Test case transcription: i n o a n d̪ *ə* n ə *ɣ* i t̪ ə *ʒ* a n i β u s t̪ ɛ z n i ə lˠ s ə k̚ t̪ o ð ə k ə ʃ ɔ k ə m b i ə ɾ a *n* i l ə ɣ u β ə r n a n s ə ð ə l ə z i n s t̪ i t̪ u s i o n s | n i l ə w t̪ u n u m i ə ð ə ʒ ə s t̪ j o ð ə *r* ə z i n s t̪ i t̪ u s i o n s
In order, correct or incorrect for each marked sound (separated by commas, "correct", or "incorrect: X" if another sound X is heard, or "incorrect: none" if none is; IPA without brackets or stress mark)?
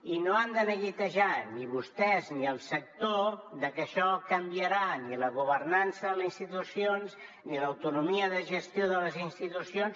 correct, correct, correct, correct, incorrect: l